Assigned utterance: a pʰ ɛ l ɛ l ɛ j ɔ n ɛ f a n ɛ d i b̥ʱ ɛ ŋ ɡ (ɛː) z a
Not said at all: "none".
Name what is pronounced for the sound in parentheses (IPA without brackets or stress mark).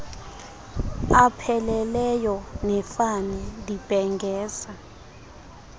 ɛː